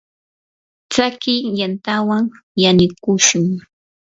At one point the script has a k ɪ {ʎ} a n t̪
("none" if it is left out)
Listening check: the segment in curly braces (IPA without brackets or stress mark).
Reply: j